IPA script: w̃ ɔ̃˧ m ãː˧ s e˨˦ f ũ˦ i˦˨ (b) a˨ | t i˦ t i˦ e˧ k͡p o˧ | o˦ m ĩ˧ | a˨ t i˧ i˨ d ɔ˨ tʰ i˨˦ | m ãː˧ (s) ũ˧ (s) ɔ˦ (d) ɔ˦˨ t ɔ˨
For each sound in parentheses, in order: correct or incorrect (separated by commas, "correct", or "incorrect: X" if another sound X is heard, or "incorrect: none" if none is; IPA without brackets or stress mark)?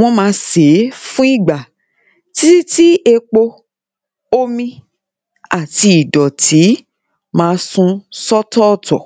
incorrect: ɡ͡b, correct, correct, incorrect: t